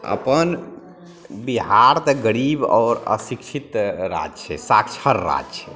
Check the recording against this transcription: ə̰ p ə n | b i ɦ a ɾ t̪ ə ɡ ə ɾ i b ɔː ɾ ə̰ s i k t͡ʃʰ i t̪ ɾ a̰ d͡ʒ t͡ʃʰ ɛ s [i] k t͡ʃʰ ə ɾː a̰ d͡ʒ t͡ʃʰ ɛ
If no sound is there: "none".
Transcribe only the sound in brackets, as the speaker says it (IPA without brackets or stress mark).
a